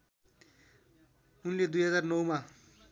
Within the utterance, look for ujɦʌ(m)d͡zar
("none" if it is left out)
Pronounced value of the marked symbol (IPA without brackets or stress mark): none